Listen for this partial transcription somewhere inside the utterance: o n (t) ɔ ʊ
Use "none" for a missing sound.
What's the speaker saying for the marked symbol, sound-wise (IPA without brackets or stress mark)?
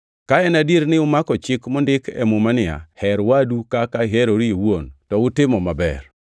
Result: t